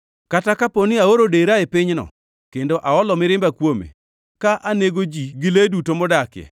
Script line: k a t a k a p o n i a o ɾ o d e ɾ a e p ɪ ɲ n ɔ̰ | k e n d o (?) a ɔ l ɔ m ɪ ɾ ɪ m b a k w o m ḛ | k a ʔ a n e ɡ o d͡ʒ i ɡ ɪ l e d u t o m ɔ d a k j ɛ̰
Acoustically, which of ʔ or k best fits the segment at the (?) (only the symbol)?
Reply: ʔ